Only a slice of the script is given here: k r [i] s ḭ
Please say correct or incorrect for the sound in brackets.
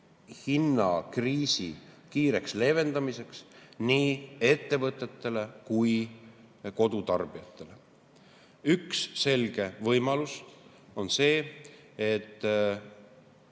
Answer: incorrect